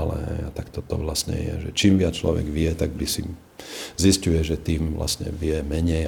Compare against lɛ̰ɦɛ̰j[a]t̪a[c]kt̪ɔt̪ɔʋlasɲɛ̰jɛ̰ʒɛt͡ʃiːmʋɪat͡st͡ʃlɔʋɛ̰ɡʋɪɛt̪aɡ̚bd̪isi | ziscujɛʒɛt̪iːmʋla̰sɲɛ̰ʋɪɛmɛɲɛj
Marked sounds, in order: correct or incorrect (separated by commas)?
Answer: correct, incorrect